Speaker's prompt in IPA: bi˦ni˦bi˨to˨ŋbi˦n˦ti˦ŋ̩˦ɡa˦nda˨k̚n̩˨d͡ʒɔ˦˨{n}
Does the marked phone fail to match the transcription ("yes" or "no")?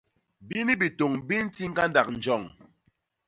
yes